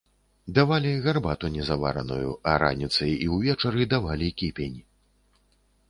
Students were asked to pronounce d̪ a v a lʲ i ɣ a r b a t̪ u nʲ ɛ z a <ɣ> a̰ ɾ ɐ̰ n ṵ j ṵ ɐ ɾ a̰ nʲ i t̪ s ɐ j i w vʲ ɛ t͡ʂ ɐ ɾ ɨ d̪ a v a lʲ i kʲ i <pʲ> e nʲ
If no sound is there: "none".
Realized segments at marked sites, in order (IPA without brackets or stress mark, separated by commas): v, pʲ